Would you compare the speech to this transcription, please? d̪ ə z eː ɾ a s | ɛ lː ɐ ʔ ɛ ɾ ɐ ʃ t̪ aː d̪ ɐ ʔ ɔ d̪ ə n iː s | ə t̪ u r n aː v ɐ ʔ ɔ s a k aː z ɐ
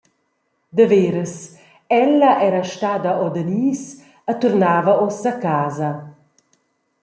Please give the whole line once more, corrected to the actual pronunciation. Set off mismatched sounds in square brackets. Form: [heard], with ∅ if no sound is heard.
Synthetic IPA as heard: d̪ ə [v] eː ɾ [ə] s | ɛ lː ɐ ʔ ɛ ɾ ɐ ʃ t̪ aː d̪ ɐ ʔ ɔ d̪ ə n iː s | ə t̪ u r n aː v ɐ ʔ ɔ s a k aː z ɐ